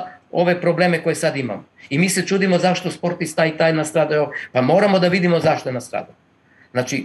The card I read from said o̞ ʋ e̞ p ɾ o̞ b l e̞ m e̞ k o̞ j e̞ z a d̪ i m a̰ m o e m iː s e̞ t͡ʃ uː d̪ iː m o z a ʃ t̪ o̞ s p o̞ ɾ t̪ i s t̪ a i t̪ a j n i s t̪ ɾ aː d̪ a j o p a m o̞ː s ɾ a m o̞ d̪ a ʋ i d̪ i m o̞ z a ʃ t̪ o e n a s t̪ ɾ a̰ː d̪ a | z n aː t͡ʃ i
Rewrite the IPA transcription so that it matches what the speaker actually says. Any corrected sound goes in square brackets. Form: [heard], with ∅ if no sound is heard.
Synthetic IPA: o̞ ʋ e̞ p ɾ o̞ b l e̞ m e̞ k o̞ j e̞ [s] a d̪ i m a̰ m o [i] m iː s e̞ t͡ʃ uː d̪ [i] m o z a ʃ t̪ o̞ s p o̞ ɾ t̪ i s t̪ a i t̪ a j n [a] s t̪ ɾ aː d̪ a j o p a m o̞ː [∅] ɾ a m o̞ d̪ a ʋ i d̪ i m o̞ z a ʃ t̪ o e n a s t̪ ɾ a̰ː d̪ a | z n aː t͡ʃ i